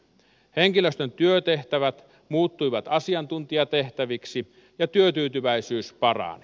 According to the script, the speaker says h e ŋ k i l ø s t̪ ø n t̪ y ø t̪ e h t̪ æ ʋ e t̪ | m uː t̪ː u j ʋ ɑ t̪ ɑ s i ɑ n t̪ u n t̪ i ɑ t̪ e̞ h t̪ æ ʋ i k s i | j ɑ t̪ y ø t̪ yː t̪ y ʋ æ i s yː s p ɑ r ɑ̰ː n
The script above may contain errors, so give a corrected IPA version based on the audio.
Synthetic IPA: h e ŋ k i l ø s t̪ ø n t̪ y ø t̪ e h t̪ æ ʋ æ t̪ | m uː t̪ː u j ʋ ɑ t̪ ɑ s i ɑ n t̪ u n t̪ i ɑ t̪ e̞ h t̪ æ ʋ i k s i | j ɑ t̪ y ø t̪ yː t̪ y ʋ æ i s yː s p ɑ r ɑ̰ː n